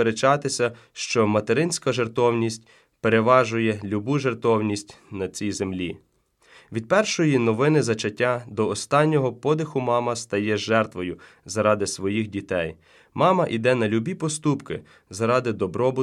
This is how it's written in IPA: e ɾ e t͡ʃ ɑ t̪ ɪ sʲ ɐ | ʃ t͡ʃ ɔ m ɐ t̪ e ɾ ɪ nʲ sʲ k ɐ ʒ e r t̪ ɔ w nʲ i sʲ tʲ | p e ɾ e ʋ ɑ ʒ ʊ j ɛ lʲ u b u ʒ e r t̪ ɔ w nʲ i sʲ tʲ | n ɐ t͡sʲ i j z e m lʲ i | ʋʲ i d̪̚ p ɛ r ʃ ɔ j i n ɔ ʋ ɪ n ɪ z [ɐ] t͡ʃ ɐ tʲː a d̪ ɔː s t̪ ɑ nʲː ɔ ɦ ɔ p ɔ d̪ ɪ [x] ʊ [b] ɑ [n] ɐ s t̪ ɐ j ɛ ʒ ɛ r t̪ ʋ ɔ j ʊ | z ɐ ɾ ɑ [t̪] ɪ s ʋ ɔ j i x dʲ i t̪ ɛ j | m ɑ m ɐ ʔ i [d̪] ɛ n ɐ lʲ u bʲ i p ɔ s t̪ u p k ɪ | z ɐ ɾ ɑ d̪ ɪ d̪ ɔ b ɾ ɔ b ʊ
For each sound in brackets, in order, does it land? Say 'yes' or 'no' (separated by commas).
yes, yes, no, no, no, yes